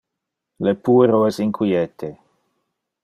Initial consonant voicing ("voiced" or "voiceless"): voiced